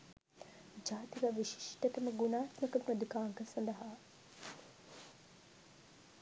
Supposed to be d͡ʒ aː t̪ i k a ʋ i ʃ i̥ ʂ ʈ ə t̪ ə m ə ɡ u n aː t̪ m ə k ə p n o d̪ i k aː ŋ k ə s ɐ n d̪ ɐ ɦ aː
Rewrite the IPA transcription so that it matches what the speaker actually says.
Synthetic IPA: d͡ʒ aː t̪ i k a ʋ i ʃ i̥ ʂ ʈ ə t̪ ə m ə ɡ u n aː t̪ m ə k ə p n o d̪ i k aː ŋ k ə s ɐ n d̪ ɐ ɦ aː